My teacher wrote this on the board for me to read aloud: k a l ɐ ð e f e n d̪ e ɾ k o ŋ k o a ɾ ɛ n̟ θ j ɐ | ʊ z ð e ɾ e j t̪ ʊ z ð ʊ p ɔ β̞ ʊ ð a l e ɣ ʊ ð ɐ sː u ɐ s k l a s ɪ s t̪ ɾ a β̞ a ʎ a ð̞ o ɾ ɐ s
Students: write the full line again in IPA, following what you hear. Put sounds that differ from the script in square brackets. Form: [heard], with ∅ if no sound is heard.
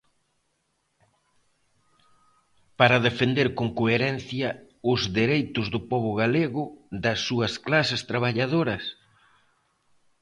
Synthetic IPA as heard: [p] a [ɾ] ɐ ð e f e n d̪ e ɾ k o ŋ k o [e] ɾ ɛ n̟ θ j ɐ | ʊ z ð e ɾ e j t̪ ʊ z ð ʊ p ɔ β̞ ʊ [ɣ] a l e ɣ ʊ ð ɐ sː u ɐ s k l a s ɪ s t̪ ɾ a β̞ a ʎ a ð̞ o ɾ ɐ s